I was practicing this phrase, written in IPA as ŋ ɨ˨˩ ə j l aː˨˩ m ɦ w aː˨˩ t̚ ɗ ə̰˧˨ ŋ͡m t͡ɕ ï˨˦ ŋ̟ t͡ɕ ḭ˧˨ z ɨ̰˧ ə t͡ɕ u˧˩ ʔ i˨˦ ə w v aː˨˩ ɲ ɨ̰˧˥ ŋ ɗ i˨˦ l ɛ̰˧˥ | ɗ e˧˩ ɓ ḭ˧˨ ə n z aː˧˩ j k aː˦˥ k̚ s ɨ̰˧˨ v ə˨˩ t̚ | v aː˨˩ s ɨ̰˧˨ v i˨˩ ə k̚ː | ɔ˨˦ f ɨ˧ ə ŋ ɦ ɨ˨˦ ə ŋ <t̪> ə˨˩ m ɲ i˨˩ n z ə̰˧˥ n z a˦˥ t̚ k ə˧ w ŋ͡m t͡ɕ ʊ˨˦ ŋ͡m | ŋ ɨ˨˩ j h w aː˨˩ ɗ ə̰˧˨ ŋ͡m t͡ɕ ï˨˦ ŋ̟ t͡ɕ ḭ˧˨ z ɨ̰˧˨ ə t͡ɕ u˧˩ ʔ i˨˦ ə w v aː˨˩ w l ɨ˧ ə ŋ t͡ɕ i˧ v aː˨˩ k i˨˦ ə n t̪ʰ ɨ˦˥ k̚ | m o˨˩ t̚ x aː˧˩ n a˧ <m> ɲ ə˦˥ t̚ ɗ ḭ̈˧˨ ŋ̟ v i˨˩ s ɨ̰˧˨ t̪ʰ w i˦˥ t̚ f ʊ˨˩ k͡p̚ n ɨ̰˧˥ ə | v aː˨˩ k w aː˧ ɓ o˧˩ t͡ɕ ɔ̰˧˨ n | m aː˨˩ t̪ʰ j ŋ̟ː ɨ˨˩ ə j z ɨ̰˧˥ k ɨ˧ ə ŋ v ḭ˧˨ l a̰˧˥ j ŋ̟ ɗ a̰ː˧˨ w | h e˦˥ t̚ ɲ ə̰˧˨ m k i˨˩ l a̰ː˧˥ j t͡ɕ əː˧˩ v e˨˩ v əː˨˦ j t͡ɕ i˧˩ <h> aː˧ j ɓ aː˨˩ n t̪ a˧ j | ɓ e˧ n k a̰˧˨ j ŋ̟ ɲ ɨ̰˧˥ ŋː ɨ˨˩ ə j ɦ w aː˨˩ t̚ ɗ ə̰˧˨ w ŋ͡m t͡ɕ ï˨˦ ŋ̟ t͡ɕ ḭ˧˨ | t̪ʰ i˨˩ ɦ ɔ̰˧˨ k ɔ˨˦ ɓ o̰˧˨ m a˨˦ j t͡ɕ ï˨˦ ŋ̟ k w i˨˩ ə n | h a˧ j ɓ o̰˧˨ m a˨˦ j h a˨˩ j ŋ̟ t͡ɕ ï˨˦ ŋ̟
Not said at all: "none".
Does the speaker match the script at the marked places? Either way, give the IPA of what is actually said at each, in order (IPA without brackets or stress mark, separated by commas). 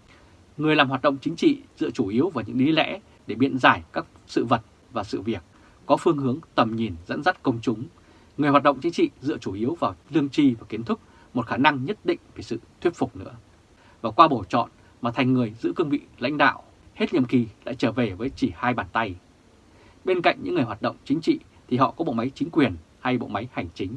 t̪, ŋ, h